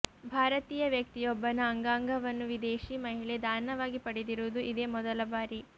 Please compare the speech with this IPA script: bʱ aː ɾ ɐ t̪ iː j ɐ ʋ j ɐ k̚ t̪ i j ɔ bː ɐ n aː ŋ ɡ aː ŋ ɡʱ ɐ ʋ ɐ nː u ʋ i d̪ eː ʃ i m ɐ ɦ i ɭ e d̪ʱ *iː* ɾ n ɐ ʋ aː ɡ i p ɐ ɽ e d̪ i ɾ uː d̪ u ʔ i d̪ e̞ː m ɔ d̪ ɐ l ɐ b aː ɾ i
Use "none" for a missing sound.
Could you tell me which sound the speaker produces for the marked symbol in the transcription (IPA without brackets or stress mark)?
aː